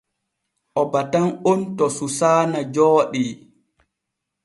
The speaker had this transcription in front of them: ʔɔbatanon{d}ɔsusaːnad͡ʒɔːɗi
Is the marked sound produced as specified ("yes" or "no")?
no